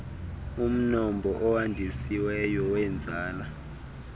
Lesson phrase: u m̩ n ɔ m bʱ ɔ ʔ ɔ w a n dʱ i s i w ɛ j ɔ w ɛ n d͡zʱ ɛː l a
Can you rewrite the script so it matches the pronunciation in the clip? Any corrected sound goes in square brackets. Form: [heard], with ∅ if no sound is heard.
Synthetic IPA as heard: u m̩ n ɔ m bʱ ɔ ʔ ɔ w a n dʱ i s i w ɛ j ɔ w ɛ n d͡zʱ [aː] l a